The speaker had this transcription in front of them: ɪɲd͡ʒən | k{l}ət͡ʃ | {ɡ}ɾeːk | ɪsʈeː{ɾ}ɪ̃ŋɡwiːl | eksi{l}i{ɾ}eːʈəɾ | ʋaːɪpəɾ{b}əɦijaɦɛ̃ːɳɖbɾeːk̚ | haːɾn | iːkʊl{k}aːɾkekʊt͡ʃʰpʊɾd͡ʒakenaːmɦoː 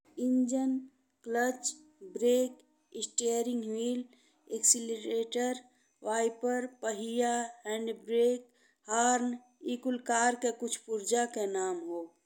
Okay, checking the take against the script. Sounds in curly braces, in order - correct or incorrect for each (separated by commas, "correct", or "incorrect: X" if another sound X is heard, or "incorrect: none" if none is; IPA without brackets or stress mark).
correct, incorrect: b, correct, correct, correct, incorrect: p, correct